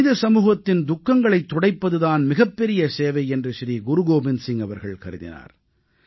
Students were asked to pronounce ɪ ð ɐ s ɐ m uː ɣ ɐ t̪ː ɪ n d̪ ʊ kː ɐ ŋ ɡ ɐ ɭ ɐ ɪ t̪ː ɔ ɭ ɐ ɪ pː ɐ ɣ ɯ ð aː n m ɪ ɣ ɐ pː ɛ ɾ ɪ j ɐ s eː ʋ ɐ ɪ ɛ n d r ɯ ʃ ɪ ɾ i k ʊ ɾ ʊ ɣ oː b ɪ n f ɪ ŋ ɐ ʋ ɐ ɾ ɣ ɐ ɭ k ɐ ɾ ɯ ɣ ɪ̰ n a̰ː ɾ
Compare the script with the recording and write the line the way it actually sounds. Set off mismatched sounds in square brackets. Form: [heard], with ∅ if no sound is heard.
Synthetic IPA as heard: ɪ ð ɐ s ɐ m uː ɣ ɐ t̪ː ɪ n d̪ ʊ kː ɐ ŋ ɡ ɐ ɭ ɐ ɪ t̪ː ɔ [ɽ] ɐ ɪ pː ɐ [ð] ɯ ð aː n m ɪ ɣ ɐ pː ɛ ɾ ɪ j ɐ s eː ʋ ɐ ɪ ɛ n d r ɯ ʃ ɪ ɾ i [ɡ] ʊ ɾ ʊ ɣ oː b ɪ n [s] ɪ ŋ ɐ ʋ ɐ ɾ ɣ ɐ ɭ k ɐ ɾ ɯ [ð] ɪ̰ n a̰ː ɾ